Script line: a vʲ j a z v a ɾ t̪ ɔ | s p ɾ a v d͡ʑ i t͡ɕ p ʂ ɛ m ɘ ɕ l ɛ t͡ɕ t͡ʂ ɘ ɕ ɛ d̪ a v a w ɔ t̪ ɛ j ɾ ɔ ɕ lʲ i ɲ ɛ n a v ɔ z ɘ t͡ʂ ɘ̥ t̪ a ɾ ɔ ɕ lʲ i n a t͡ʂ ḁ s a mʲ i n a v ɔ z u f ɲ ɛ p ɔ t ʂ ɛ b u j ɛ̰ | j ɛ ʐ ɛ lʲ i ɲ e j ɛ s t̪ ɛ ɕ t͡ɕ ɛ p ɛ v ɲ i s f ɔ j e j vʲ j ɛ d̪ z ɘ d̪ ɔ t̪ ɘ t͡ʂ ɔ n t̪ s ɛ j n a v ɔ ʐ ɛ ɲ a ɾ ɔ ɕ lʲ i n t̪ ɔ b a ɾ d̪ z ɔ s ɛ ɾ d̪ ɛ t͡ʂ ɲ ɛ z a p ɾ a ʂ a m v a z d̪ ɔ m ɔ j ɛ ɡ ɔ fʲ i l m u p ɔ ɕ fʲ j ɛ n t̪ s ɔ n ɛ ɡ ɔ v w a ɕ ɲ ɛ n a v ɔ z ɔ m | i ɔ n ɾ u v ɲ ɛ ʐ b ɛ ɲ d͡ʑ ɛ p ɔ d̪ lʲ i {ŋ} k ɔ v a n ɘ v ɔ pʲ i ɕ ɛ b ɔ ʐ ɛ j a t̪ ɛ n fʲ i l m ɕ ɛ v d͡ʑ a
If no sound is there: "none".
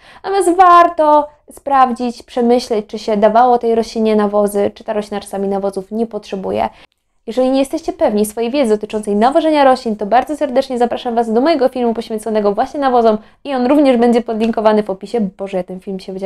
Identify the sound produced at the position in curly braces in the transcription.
ŋ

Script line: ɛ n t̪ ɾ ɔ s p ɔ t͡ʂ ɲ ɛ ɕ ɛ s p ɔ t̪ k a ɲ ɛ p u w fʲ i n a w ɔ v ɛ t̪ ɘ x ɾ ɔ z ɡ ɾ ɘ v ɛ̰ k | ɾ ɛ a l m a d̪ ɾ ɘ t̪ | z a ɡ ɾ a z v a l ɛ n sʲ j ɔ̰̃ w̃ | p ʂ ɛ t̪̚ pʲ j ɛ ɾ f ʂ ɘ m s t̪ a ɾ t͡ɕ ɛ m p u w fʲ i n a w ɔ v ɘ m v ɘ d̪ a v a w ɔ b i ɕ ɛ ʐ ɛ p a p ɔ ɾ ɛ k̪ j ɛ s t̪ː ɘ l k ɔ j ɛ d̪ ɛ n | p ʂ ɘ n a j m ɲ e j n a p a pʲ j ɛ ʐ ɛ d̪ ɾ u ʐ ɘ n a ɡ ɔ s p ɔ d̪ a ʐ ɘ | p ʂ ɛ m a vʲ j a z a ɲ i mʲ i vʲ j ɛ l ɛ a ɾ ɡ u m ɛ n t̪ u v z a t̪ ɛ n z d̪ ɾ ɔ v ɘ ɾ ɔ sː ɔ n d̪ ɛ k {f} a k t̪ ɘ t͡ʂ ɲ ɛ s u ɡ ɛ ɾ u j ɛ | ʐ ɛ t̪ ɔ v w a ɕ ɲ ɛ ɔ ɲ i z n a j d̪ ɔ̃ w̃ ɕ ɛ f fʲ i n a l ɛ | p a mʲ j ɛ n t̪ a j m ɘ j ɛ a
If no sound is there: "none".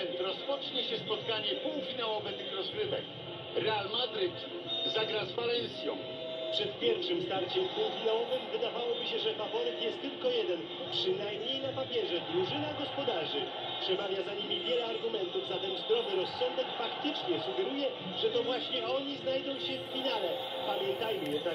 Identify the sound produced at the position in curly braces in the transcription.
f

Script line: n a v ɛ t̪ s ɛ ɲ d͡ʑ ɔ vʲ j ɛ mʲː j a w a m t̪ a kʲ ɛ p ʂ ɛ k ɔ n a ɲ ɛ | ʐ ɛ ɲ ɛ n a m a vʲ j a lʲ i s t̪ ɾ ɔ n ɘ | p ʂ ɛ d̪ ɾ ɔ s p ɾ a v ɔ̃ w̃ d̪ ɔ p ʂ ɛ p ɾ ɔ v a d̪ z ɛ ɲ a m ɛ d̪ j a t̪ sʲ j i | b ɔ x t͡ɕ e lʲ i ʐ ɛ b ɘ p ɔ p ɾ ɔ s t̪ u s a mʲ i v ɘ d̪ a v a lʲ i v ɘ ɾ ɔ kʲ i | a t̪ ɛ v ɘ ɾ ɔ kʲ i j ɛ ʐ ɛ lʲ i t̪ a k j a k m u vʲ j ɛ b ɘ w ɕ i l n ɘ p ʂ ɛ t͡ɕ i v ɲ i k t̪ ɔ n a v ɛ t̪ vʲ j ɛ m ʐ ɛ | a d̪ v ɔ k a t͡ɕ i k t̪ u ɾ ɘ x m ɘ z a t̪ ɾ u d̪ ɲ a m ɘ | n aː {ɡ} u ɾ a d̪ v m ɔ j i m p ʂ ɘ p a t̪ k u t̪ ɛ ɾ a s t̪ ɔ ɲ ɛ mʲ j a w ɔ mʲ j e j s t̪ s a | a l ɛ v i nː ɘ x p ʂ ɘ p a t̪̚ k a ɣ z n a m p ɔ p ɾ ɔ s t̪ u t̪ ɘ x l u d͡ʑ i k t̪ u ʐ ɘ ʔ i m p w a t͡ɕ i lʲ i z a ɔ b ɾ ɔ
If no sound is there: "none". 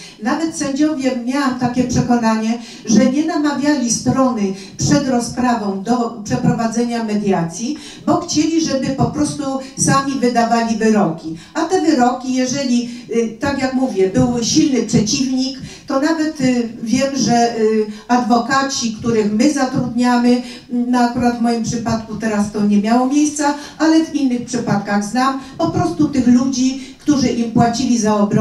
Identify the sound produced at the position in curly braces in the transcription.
k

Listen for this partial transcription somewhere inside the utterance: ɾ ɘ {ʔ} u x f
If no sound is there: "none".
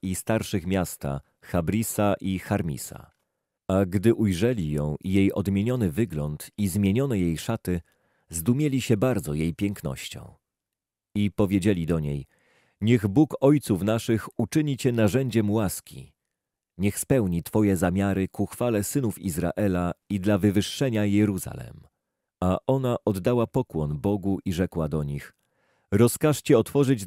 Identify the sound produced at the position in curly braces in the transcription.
k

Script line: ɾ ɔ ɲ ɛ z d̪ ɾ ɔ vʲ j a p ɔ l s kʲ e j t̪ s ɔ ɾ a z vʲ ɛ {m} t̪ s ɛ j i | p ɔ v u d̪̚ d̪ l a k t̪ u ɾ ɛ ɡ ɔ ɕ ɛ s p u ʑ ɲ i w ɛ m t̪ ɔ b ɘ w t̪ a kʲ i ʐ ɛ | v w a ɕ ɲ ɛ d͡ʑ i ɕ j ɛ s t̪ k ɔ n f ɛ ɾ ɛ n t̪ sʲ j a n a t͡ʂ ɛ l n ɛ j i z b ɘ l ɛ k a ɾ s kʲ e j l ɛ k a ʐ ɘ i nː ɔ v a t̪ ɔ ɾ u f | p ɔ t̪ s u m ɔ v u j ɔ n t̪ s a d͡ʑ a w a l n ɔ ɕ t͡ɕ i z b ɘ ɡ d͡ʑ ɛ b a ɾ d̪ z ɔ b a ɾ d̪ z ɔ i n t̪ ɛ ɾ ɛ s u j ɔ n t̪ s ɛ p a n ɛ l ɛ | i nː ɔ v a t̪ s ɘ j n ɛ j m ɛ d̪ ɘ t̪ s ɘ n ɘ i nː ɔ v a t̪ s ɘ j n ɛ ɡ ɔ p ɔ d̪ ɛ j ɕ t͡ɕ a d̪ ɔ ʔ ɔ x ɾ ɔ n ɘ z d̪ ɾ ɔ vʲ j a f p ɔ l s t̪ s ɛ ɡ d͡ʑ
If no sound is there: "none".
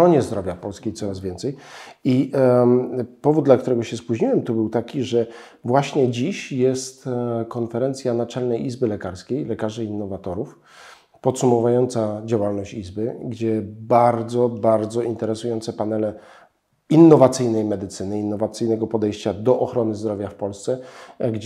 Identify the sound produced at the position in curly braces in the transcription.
n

